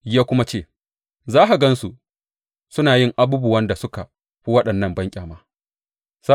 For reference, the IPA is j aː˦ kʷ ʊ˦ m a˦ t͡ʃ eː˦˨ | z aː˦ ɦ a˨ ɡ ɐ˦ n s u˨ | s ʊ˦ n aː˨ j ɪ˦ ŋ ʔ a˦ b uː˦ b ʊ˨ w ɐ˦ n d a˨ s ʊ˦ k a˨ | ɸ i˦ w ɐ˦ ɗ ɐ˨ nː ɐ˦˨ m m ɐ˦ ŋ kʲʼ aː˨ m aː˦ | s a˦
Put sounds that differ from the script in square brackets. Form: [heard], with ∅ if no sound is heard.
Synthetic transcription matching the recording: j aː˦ kʷ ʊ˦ m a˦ t͡ʃ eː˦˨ | z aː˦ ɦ a˨ ɡ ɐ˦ n s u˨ | s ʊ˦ n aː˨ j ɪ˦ ŋ ʔ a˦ b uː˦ b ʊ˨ w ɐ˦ n d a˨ s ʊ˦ k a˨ | ɸ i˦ w ɐ˦ ɗ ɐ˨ nː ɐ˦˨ m [b] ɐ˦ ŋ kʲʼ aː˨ m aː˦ | s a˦